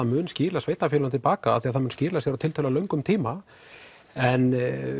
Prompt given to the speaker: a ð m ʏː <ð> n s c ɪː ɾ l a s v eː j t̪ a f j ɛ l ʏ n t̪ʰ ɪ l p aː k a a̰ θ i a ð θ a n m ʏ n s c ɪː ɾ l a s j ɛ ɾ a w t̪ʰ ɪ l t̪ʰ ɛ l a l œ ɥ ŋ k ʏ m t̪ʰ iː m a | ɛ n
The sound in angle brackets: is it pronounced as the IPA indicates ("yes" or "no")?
no